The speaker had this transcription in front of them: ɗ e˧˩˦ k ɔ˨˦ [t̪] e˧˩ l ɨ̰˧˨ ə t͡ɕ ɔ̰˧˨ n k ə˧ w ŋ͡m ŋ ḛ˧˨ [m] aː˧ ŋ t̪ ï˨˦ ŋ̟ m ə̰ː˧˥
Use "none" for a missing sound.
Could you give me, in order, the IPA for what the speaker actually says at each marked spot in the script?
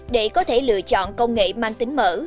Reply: t̪ʰ, m

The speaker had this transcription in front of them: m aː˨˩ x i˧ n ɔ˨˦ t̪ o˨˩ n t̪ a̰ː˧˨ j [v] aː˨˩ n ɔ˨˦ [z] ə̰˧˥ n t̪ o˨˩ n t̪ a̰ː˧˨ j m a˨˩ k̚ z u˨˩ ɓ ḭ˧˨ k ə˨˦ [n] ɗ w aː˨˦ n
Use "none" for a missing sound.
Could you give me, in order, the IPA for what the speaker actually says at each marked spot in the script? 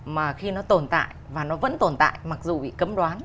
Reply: v, v, m

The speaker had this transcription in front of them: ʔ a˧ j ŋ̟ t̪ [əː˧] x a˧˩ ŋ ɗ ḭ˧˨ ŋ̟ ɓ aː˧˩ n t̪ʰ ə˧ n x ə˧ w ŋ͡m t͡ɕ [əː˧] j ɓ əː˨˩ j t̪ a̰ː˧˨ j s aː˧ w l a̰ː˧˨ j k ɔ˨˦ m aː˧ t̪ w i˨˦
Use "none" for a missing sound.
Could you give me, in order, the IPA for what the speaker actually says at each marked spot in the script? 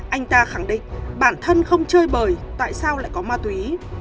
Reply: aː˧, əː˧

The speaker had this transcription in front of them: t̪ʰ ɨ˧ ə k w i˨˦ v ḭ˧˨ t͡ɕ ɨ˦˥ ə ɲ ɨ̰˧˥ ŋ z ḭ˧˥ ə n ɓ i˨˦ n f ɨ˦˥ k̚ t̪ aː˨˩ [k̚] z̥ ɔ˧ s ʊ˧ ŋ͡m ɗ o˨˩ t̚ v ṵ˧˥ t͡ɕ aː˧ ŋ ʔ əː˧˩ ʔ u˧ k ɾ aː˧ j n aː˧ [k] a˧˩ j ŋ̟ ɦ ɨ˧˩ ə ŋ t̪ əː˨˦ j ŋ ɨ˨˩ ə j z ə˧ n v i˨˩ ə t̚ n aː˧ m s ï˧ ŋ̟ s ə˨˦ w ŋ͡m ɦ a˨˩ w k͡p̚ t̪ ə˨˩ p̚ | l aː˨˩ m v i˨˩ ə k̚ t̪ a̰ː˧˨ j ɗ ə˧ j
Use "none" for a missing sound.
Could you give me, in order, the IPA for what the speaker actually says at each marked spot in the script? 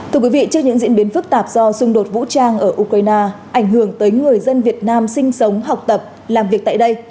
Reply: p̚, ʔ

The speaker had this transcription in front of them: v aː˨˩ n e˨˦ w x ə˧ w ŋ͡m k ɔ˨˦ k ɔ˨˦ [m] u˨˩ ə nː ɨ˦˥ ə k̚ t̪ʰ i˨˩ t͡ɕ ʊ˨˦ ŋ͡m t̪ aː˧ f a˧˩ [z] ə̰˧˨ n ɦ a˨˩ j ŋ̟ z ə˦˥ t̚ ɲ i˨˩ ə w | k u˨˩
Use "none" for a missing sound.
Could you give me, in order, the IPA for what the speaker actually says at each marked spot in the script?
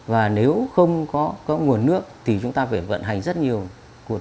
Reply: ŋ, v

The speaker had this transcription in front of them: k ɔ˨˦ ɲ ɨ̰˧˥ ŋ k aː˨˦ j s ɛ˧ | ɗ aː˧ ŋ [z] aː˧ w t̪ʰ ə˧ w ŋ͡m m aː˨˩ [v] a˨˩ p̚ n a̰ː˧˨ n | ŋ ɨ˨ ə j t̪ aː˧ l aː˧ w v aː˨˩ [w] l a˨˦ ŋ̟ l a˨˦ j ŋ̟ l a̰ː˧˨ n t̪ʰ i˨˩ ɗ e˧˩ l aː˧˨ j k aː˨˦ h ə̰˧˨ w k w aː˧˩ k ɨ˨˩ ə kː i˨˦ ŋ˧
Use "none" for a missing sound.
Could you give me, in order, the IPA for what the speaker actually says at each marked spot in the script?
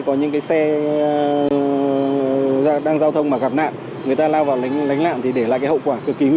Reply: z, ɣ, w

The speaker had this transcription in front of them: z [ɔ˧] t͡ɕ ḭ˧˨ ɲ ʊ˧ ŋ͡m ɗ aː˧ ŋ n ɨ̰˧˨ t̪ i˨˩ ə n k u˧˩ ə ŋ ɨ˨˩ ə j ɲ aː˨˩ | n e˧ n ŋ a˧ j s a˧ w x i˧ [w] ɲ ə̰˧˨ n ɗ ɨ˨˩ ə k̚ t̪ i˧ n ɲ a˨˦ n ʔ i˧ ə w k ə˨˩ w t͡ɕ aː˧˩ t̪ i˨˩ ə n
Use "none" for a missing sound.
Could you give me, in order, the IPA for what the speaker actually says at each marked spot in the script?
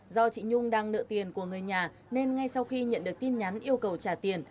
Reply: ɔ˧, none

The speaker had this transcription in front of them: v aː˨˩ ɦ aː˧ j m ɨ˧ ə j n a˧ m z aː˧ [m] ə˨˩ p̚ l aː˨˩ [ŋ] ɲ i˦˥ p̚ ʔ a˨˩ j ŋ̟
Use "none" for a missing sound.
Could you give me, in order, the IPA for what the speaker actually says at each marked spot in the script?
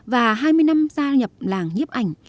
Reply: ɲ, ŋ

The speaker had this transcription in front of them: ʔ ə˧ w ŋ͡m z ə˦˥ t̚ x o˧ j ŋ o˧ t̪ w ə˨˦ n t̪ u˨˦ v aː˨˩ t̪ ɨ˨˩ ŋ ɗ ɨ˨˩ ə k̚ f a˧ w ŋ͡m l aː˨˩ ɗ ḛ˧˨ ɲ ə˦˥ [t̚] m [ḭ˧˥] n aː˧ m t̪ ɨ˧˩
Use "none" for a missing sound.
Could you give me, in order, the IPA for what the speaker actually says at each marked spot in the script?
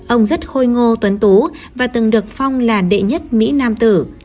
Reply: t̚, ḭ˧˥

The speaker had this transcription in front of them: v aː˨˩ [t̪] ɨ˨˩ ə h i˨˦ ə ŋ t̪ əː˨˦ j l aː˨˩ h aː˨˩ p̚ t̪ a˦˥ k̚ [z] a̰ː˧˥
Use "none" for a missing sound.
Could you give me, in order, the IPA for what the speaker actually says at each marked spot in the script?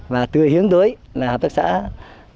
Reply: t̪, s

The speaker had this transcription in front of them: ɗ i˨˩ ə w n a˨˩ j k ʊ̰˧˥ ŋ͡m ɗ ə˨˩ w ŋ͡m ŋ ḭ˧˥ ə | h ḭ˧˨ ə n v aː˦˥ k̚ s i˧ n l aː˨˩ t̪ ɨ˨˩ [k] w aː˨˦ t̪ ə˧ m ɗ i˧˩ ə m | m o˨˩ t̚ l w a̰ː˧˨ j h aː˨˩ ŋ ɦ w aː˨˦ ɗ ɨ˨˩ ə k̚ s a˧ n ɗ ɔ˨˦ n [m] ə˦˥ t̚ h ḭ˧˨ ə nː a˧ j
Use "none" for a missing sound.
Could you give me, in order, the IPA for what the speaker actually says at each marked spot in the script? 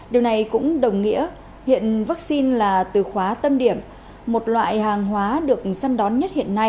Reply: x, ɲ

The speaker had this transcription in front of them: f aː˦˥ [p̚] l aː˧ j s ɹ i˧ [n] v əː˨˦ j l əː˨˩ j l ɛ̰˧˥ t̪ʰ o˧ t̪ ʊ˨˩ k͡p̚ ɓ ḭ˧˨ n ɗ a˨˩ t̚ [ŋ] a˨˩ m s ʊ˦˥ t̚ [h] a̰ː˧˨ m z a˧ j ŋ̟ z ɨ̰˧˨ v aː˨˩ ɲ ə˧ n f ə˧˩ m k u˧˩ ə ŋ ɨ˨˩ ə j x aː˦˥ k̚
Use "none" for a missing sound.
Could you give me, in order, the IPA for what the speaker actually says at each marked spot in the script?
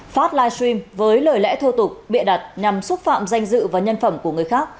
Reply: t̚, m, ɲ, f

